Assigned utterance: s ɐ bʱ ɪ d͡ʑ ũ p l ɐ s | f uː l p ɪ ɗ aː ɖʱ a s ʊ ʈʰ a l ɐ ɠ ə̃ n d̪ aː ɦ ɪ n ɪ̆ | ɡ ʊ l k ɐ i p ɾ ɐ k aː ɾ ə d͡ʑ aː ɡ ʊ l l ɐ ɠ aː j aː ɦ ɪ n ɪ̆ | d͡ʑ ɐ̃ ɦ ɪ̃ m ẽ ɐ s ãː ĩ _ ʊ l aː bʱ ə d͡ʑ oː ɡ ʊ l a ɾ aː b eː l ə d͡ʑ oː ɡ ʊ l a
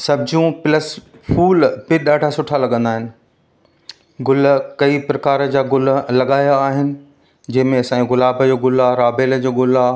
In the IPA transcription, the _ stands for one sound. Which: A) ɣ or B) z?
A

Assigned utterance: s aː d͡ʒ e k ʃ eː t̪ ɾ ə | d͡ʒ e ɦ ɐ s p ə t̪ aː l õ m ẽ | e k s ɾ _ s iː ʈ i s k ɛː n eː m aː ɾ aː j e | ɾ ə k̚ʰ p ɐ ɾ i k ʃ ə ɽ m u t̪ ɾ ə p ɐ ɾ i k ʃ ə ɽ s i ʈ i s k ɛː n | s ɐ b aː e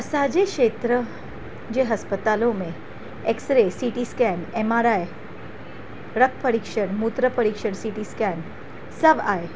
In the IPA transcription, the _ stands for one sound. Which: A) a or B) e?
B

